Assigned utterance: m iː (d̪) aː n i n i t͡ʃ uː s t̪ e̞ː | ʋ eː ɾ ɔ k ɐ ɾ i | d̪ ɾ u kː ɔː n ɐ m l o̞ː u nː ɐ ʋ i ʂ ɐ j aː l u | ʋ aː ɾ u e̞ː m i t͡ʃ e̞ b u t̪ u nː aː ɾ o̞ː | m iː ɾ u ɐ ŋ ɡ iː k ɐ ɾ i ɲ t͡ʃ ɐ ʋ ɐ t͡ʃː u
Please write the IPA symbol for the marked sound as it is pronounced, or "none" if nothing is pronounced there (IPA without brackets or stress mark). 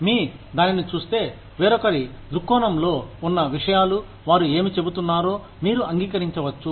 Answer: d̪